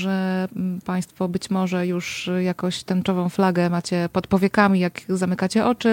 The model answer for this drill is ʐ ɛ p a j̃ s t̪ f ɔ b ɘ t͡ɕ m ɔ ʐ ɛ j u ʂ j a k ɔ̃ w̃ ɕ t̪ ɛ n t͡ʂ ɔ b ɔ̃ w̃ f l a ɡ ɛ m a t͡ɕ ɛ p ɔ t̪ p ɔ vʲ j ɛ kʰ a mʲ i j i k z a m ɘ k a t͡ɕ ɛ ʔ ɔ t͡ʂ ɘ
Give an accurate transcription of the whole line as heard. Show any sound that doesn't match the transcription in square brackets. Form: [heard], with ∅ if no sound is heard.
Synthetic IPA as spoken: ʐ ɛ p a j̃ s t̪ f ɔ b ɘ t͡ɕ m ɔ ʐ ɛ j u ʂ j a k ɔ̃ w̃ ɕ t̪ ɛ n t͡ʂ ɔ [v] ɔ̃ w̃ f l a ɡ ɛ m a t͡ɕ ɛ p ɔ t̪ p ɔ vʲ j ɛ [k] a mʲ i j [a] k z a m ɘ k a t͡ɕ ɛ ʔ ɔ t͡ʂ ɘ